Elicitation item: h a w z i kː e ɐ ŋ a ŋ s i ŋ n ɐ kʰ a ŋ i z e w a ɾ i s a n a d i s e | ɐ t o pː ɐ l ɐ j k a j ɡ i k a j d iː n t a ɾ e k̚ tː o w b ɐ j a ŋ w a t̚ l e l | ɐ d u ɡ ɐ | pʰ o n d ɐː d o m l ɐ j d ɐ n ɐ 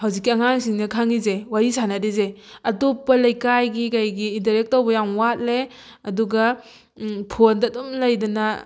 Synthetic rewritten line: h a w z i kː i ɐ ŋ a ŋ s i ŋ n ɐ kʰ a ŋ i z e w a ɾ i s a n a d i z e | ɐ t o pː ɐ l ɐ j k a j ɡ i k a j ɡ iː n t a ɾ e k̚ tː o w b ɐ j a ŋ w a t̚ l e | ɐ d u ɡ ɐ | pʰ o n d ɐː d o m l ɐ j d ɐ n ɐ